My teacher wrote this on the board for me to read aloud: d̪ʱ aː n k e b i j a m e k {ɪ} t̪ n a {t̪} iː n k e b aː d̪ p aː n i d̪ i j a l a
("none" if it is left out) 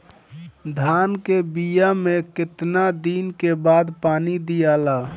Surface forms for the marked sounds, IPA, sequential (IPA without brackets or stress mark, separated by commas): ɪ, d̪